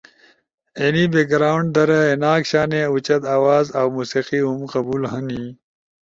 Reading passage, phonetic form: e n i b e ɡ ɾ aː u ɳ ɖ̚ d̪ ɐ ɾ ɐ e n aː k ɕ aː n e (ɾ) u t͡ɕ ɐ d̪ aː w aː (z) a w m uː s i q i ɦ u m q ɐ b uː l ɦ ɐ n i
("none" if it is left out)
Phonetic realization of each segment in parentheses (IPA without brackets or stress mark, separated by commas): none, z